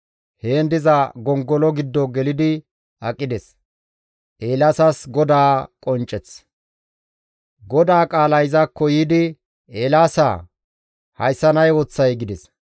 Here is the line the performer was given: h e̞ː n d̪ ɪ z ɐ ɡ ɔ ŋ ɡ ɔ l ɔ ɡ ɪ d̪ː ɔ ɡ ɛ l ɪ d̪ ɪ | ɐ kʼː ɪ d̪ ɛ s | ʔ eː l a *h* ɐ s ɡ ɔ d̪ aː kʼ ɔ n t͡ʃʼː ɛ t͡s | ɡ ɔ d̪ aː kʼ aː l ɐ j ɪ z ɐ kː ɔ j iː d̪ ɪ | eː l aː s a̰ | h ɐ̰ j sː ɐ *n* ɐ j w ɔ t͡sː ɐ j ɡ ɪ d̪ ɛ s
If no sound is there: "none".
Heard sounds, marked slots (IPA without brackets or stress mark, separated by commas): s, n